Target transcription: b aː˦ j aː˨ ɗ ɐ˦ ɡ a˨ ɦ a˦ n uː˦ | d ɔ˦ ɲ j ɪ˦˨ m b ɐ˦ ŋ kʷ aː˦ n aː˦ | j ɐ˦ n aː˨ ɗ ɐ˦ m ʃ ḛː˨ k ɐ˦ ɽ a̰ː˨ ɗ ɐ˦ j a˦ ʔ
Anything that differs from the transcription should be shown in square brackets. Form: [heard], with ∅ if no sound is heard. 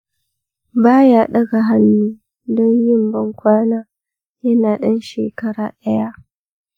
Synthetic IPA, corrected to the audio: b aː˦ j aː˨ ɗ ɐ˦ ɡ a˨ ɦ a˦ [nː] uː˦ | d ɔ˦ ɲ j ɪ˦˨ m b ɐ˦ ŋ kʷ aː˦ n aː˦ | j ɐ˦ n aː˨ ɗ ɐ˦ [n] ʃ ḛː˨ k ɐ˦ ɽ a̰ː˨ ɗ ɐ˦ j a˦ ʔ

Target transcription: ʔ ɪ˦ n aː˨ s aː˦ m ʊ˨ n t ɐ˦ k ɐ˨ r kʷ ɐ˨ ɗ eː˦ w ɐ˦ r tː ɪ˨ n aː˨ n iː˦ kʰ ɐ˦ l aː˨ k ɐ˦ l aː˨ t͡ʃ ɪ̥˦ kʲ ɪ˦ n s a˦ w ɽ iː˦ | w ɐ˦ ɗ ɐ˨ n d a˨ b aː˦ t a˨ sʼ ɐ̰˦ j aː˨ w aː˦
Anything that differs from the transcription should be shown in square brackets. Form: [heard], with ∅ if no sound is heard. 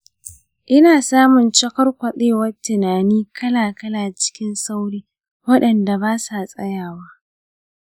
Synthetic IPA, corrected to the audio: ʔ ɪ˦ n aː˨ s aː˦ m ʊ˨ n [t͡ʃ] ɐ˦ k [ɐ˦] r kʷ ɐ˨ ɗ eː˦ w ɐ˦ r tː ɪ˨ n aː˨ n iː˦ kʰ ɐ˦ l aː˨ k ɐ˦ l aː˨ t͡ʃ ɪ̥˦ kʲ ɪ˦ n s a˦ w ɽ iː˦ | w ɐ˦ ɗ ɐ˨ n d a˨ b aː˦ [s] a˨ sʼ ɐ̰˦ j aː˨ w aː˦

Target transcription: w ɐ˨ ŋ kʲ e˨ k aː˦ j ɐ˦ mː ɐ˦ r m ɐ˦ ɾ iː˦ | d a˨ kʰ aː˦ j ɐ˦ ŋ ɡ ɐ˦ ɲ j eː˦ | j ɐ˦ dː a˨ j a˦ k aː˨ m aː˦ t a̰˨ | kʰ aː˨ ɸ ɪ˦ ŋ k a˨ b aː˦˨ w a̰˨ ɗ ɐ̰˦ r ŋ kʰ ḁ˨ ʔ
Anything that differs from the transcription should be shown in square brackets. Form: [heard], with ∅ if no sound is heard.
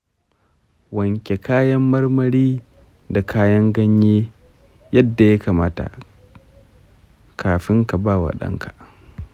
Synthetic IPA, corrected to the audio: w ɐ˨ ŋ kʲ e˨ k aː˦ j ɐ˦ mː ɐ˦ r m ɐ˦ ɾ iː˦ | d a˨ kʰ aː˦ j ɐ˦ ŋ ɡ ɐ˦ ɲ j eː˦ | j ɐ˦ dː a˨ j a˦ k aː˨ m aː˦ t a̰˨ | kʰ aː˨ ɸ ɪ˦ ŋ k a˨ b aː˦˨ w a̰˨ ɗ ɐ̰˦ [∅] ŋ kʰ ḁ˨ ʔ

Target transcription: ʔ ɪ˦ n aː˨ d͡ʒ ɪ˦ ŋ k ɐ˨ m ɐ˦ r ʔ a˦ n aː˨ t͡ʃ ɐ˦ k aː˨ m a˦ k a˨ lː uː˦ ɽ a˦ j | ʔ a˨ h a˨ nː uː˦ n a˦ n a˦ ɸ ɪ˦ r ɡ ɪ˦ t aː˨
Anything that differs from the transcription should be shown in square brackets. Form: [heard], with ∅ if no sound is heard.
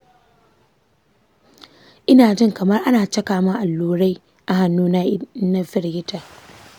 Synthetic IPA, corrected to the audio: ʔ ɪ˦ n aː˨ d͡ʒ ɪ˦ ŋ k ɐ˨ m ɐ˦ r ʔ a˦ n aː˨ t͡ʃ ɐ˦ k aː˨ m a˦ [ʔ] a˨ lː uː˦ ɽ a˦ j | ʔ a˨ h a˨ nː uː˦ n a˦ n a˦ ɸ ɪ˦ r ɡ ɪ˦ t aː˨

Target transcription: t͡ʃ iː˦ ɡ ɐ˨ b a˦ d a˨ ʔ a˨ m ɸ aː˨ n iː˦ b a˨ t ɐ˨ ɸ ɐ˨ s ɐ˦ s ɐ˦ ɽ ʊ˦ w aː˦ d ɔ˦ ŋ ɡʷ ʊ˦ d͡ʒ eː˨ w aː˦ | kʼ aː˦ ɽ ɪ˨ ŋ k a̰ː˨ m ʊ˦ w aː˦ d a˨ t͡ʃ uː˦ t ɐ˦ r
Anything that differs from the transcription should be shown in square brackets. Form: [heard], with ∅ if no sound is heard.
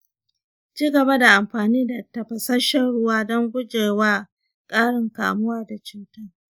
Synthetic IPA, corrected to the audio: t͡ʃ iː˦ ɡ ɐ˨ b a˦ d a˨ ʔ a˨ m ɸ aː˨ n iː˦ [d] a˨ t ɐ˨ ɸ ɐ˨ s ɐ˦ [ʃ] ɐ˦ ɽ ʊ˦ w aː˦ d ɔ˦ ŋ ɡʷ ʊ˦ d͡ʒ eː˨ w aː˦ | kʼ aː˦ ɽ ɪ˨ ŋ k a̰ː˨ m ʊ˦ w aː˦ d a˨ t͡ʃ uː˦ t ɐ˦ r

